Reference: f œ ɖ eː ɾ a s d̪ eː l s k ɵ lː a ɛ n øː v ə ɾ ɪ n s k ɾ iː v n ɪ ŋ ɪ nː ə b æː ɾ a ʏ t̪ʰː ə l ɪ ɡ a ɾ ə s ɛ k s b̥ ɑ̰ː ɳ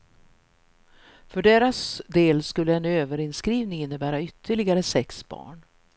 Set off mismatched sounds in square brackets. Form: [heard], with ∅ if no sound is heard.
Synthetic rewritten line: f œ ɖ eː ɾ a s d̪ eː l s k ɵ lː [ə] ɛ n øː v ə ɾ ɪ n s k ɾ iː v n ɪ ŋ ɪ nː ə b æː ɾ a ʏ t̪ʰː ə [ɭ] ɪ ɡ a ɾ ə s ɛ k s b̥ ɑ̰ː ɳ